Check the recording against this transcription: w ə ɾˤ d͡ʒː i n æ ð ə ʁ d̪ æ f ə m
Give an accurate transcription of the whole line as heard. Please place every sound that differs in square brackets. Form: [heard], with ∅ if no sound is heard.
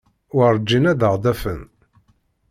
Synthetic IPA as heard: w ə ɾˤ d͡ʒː i n æ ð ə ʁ d̪ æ f ə [n]

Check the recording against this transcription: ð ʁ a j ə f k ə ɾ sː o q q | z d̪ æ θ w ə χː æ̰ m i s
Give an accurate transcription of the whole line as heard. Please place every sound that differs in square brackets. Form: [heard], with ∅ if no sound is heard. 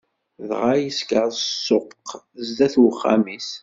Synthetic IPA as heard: ð ʁ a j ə [s] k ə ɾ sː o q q | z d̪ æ θ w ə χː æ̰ m i s

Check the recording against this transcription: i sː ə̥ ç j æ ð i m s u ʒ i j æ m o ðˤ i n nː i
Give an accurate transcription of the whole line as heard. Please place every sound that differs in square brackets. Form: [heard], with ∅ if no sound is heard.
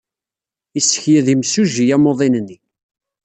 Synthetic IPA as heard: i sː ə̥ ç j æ ð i m s u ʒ i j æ m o ðˤ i n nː i

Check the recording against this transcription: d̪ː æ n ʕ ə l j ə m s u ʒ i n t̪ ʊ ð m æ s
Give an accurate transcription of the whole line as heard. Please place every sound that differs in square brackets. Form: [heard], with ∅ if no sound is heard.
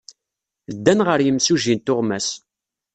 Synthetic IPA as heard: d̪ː æ n [ʁ] ə [ɾ] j ə m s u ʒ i n t̪ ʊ [ʁ] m æ s

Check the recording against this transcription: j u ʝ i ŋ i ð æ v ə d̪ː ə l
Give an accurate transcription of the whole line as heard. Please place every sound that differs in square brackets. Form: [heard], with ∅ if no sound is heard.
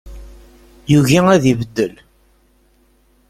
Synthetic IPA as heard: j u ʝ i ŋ [æ] ð [i] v ə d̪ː ə l

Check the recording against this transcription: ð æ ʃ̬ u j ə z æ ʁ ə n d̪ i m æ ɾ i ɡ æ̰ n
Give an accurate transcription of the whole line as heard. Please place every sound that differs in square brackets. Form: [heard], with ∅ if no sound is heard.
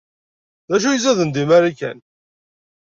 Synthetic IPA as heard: ð æ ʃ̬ u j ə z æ [ð] ə n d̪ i m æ ɾ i [k] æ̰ n

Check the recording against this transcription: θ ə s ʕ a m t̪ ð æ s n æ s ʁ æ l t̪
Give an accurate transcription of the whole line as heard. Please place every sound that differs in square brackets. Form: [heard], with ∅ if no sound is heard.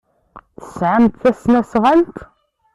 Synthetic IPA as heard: θ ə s ʕ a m t̪ [θ] æ s n æ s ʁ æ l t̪

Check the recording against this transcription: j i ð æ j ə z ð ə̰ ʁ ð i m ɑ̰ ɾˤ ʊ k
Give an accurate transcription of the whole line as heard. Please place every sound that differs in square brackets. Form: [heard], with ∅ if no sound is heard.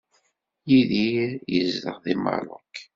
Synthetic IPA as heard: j i ð [i] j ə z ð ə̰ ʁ ð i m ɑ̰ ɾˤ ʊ k

